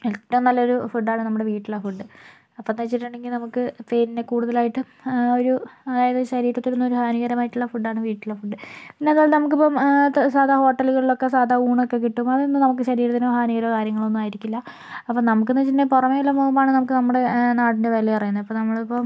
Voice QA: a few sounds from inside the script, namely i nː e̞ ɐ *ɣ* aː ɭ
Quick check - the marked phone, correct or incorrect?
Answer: incorrect: ð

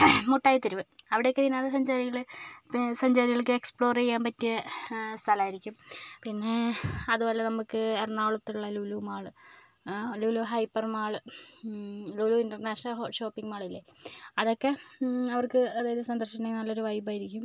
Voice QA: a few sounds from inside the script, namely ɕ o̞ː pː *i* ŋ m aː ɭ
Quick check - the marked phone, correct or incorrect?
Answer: correct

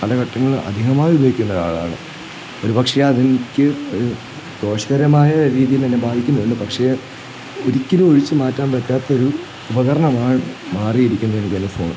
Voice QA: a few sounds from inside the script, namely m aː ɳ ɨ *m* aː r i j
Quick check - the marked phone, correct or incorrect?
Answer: correct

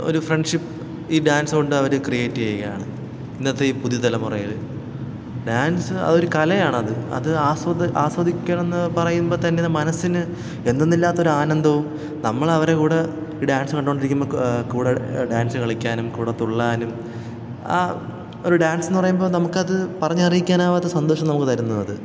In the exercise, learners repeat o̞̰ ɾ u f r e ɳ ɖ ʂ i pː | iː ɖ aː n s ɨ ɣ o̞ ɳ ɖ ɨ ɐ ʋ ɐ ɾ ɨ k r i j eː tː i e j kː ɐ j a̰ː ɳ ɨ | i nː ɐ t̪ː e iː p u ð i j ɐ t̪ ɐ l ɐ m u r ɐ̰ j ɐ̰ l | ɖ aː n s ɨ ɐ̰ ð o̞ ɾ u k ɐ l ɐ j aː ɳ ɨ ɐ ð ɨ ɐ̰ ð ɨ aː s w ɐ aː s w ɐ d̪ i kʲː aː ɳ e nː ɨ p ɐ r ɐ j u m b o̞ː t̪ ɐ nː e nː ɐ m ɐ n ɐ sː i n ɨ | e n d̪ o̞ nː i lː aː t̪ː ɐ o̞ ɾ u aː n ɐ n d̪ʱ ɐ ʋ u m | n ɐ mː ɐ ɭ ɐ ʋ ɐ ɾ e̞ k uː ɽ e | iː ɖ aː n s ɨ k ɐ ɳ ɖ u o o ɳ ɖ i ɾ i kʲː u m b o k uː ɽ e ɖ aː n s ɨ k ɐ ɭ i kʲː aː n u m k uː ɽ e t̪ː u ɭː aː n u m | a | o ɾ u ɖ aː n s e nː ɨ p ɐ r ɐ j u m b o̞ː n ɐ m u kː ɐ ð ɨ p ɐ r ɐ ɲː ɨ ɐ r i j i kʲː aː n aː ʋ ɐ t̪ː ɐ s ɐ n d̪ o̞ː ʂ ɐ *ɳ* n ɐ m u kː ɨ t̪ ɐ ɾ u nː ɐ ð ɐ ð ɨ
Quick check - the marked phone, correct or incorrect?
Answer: incorrect: m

